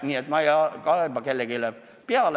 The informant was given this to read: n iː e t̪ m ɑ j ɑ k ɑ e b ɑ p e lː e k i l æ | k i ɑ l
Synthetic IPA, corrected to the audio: n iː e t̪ m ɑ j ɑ k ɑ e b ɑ k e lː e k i l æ | p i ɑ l